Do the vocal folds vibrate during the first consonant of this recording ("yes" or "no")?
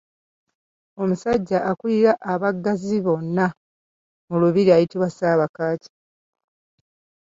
yes